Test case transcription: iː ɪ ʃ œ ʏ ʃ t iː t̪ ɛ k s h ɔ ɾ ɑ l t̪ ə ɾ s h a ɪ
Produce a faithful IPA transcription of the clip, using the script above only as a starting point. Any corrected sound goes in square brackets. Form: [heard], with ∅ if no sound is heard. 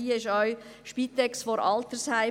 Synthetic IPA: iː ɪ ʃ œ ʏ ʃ [p] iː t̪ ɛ k s [f] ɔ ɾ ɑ l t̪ ə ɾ s h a ɪ